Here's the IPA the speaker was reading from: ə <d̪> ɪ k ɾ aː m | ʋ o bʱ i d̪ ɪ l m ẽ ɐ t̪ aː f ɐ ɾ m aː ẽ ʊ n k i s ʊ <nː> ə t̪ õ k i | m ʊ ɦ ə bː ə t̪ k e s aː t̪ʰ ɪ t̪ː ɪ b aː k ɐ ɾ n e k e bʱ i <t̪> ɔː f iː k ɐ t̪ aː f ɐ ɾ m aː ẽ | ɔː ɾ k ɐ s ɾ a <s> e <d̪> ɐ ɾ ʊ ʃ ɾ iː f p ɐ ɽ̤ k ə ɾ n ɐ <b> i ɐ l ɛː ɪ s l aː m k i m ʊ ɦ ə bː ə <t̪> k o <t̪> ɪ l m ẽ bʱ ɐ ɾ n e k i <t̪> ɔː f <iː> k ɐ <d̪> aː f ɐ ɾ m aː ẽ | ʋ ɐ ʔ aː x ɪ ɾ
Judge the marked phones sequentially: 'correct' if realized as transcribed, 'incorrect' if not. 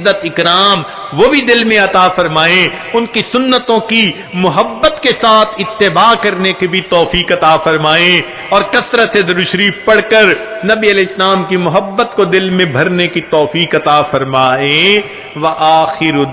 incorrect, correct, correct, correct, correct, correct, correct, incorrect, correct, correct, incorrect

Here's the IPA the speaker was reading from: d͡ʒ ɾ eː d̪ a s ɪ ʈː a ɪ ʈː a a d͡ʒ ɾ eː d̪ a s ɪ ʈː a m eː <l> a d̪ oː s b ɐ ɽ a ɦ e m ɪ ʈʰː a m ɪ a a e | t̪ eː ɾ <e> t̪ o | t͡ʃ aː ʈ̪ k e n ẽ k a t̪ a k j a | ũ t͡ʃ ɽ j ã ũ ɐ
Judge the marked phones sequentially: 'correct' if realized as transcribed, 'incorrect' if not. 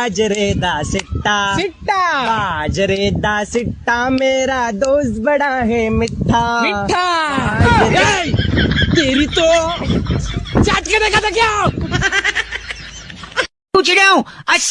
incorrect, incorrect

